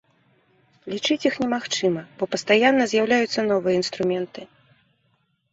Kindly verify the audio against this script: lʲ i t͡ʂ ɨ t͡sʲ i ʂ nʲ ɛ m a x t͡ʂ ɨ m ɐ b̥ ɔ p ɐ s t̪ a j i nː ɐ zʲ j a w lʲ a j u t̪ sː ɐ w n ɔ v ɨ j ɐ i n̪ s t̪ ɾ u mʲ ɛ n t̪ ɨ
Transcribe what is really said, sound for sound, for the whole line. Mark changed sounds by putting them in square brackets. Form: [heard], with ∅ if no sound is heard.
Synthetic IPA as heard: lʲ i t͡ʂ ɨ t͡sʲ i [x] nʲ ɛ m a x t͡ʂ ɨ m ɐ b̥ ɔ p ɐ s t̪ a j [a] nː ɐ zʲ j a w lʲ a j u t̪ sː ɐ [∅] n ɔ v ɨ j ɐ i n̪ s t̪ ɾ u mʲ ɛ n t̪ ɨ